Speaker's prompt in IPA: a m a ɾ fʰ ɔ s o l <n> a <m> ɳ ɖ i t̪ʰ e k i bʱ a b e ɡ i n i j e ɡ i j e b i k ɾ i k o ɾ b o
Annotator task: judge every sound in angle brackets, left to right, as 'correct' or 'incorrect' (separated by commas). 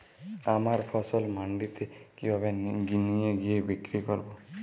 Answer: incorrect, incorrect